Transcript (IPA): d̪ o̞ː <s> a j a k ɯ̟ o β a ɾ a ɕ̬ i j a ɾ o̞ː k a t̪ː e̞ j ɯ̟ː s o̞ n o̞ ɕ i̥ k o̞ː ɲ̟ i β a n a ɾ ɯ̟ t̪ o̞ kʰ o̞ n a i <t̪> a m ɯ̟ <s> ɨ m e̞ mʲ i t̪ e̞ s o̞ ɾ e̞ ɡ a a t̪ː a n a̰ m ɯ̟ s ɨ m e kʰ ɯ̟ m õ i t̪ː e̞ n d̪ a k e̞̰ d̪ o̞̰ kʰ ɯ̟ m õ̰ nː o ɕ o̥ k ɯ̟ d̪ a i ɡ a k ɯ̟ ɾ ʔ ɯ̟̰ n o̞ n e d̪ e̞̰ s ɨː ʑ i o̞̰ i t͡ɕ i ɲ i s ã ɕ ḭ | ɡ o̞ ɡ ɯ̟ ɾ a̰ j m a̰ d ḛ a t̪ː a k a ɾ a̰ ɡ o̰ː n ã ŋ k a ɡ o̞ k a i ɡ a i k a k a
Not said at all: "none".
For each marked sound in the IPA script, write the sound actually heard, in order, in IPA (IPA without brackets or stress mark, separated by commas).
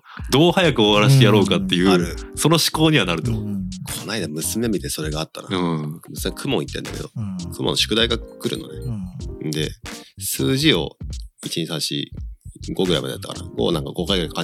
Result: h, d̪, s